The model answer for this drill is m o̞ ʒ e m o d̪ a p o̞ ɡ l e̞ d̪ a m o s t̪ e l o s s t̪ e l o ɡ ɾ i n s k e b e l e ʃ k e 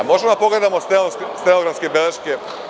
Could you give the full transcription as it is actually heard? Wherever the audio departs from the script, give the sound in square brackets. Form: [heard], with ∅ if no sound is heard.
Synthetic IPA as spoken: m o̞ ʒ e m o d̪ a p o̞ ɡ l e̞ d̪ a m o s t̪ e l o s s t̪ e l o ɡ ɾ [a] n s k e b e l e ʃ k e

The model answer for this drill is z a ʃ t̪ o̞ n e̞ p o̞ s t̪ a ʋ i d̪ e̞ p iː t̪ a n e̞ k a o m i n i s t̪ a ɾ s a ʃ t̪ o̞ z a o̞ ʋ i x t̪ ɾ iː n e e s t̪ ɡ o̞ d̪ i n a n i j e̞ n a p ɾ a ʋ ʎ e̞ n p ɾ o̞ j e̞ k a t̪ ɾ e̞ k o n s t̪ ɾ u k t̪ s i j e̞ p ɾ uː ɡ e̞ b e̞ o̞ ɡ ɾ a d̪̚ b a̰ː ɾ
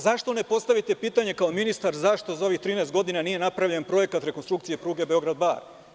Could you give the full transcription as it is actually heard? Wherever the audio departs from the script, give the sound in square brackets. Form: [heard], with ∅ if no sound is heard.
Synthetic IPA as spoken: z a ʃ t̪ o̞ n e̞ p o̞ s t̪ a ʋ i [t̪] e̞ p iː t̪ a [ɲ] e̞ k a o m i n i s t̪ a ɾ [z] a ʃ t̪ o̞ z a o̞ ʋ i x t̪ ɾ iː n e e s t̪ ɡ o̞ d̪ i n a n i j e̞ n a p ɾ a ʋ ʎ e̞ n p ɾ o̞ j e̞ k a t̪ ɾ e̞ k o n s t̪ ɾ u k t̪ s i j e̞ p ɾ uː ɡ e̞ b e̞ o̞ ɡ ɾ a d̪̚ b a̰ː ɾ

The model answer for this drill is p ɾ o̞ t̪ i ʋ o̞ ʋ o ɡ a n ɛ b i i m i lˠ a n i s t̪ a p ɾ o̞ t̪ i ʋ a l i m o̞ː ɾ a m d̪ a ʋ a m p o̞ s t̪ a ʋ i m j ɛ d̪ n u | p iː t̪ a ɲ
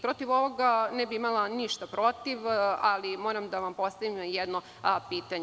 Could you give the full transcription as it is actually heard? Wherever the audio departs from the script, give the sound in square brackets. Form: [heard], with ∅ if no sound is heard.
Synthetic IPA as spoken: p ɾ o̞ t̪ i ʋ o̞ ʋ o ɡ a n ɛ b i i m [a] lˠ a n i [ʃ] t̪ a p ɾ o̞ t̪ i ʋ a l i m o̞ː ɾ a m d̪ a ʋ a m p o̞ s t̪ a ʋ i m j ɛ d̪ n [o] | p iː t̪ a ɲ

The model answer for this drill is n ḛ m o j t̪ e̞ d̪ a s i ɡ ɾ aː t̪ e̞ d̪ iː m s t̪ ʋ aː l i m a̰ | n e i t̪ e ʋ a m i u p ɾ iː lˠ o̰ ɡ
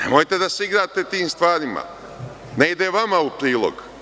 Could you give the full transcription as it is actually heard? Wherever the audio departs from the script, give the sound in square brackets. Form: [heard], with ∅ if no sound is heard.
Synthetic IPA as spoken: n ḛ m o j t̪ e̞ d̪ a s i ɡ ɾ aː t̪ e̞ [t̪] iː m s t̪ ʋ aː [ɾ] i m a̰ | n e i [d̪] e ʋ a m [a] u p ɾ iː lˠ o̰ ɡ

